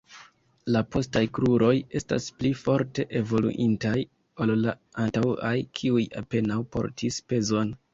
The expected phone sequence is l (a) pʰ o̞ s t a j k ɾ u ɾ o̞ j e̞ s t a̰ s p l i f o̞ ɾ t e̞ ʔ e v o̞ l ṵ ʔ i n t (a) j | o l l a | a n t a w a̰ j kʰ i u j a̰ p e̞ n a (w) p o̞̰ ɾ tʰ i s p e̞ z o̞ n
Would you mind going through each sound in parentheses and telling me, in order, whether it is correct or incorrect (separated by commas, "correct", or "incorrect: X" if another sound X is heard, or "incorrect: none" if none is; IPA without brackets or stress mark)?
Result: correct, correct, correct